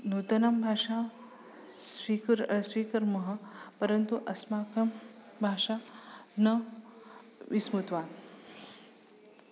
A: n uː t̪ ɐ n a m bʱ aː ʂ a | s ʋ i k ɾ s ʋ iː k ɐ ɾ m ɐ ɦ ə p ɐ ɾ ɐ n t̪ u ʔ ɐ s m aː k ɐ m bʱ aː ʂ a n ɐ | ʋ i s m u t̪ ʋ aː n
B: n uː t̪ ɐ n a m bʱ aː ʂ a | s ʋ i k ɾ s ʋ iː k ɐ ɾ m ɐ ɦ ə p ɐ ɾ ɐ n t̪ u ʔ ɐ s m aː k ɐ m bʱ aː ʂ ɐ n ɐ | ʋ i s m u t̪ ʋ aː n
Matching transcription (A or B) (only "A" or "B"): A